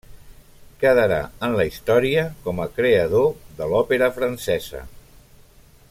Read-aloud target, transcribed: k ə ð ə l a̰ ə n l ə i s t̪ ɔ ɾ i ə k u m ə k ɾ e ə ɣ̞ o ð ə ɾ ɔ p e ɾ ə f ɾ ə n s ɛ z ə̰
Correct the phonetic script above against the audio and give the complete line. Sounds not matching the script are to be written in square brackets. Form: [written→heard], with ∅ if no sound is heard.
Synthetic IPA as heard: k ə ð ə [l→ɾ] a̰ ə n l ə i s t̪ ɔ ɾ i ə k [u→ɔ] m ə k ɾ e ə [ɣ̞→ð̞] o ð ə [ɾ→l] ɔ p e ɾ ə f ɾ ə n s ɛ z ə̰